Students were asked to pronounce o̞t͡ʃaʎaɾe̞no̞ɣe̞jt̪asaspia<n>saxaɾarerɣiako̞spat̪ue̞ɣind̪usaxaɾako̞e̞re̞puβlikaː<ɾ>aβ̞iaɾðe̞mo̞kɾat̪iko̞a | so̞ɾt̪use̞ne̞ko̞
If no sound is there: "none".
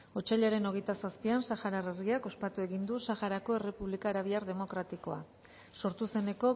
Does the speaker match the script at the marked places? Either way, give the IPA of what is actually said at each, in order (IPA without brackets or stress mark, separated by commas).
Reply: n, ɾ